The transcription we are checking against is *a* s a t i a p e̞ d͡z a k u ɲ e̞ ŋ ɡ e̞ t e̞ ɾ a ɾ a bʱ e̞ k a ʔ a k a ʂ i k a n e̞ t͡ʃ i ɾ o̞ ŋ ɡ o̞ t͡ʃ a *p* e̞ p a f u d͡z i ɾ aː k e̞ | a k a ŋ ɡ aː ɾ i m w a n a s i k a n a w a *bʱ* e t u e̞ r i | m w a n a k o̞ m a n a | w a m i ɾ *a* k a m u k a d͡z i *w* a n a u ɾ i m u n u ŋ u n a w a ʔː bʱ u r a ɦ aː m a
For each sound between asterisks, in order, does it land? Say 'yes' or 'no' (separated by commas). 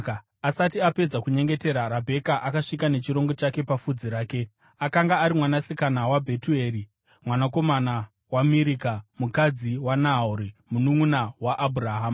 yes, no, yes, no, yes